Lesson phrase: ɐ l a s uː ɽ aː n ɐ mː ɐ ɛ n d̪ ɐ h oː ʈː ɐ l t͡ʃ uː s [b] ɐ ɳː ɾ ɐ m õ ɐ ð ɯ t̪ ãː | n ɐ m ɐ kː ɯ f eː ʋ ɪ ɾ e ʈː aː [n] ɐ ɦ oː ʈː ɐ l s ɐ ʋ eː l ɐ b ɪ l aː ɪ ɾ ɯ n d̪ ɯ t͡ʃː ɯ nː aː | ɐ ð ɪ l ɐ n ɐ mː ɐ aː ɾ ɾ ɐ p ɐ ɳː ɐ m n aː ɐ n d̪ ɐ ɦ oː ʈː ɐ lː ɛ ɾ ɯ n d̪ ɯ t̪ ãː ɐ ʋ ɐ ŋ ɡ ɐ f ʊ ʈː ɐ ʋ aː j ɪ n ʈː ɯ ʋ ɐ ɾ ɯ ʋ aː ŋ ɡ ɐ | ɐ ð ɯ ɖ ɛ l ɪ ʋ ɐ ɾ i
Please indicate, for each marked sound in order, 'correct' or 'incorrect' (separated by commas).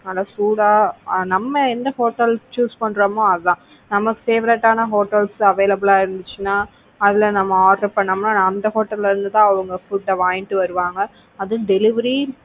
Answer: incorrect, correct